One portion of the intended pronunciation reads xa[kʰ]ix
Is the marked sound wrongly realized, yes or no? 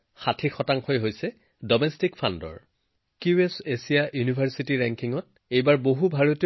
yes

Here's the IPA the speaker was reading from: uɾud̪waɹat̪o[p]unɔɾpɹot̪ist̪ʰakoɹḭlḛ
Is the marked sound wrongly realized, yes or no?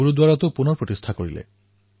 no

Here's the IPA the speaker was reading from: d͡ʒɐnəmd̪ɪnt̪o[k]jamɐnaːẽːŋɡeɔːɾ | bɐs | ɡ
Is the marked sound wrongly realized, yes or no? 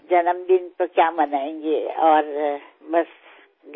no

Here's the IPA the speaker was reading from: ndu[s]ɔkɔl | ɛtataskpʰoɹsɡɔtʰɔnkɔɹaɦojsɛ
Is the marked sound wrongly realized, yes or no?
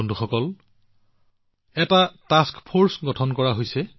yes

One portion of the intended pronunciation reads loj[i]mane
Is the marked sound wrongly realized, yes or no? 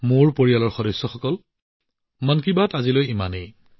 no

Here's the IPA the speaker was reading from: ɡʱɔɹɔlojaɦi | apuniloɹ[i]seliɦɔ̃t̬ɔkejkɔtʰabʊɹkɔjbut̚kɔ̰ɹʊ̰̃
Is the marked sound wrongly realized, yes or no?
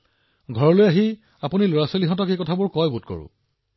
yes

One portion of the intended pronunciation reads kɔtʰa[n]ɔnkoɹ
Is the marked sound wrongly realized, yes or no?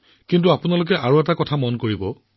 yes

